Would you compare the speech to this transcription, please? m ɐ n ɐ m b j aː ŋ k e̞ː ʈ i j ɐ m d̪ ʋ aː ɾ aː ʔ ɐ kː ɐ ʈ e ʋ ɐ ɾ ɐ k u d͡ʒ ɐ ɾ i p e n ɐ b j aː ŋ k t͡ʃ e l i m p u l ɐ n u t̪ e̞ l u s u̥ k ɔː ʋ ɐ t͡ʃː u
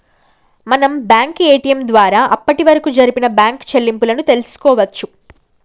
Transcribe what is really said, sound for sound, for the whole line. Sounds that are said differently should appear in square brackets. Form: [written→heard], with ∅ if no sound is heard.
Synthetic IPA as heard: m ɐ n ɐ m b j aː ŋ k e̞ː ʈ i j ɐ m d̪ ʋ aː ɾ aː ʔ ɐ [kː→pː] ɐ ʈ [e→i] ʋ ɐ ɾ ɐ k u d͡ʒ ɐ ɾ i p [e→i] n ɐ b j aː ŋ k t͡ʃ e [l→lː] i m p u l ɐ n u t̪ e̞ l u s u̥ k ɔː ʋ ɐ t͡ʃː u